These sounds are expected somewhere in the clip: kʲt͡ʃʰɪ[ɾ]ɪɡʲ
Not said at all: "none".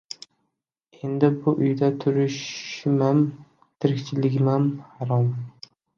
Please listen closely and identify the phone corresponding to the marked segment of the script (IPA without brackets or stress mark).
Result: l